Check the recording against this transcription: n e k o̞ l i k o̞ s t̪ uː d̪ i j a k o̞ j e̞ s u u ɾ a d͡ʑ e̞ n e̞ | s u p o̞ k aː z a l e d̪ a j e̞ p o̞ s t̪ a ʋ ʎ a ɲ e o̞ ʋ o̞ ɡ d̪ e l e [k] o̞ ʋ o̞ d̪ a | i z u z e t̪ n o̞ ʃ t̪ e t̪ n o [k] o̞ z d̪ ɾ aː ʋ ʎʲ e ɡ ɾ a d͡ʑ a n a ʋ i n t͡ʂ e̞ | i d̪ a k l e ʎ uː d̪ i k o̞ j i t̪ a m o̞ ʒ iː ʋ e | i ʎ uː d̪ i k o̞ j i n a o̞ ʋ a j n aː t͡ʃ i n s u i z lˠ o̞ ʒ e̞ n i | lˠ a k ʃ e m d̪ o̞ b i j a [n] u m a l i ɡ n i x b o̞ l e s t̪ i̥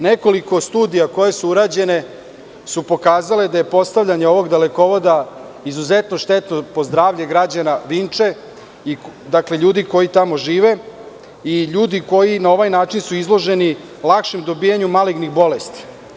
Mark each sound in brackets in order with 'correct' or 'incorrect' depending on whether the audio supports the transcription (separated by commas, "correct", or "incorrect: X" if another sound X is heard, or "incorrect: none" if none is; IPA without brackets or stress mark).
correct, incorrect: p, incorrect: ɲ